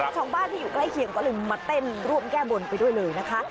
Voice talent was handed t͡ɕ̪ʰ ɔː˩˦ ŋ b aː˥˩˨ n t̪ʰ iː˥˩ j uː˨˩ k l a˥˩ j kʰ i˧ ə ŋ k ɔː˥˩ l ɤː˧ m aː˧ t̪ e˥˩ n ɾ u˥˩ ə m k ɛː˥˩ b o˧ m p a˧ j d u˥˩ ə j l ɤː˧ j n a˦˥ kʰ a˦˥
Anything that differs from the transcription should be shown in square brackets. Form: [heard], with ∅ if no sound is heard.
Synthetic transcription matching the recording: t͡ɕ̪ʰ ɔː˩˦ ŋ b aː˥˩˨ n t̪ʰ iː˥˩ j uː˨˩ k l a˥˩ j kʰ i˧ ə ŋ k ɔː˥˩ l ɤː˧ m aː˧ t̪ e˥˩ n ɾ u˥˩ ə m k ɛː˥˩ b o˧ [n] p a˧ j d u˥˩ ə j l ɤː˧ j n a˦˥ kʰ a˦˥